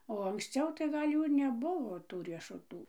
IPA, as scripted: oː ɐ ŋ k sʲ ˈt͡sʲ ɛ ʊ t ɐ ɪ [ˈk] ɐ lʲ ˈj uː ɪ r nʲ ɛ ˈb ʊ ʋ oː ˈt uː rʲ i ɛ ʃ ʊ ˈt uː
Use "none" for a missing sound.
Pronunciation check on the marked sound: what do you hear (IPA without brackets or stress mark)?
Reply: ɡ